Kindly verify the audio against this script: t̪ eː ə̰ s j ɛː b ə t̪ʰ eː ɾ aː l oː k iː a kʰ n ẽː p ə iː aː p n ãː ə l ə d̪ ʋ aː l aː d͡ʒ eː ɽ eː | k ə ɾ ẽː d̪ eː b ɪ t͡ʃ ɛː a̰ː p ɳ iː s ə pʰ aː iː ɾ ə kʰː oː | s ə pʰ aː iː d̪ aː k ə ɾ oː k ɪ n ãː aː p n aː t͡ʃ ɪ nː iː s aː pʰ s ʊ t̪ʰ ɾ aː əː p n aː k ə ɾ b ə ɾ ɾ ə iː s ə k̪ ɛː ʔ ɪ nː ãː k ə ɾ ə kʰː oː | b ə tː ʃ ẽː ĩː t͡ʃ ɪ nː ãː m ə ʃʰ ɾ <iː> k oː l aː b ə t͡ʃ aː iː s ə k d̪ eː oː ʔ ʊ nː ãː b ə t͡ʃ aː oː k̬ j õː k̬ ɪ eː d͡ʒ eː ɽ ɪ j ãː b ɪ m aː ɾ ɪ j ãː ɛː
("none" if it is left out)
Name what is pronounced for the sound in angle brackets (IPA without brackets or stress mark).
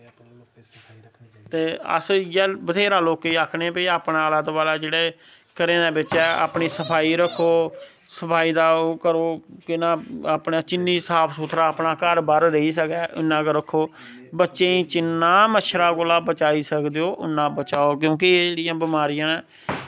aː